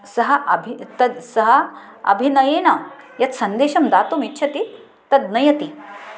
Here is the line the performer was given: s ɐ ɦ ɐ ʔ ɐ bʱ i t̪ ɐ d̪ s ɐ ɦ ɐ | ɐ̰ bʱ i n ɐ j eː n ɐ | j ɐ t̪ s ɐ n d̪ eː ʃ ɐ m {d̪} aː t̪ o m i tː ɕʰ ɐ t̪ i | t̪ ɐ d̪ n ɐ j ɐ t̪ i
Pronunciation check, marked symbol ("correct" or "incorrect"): correct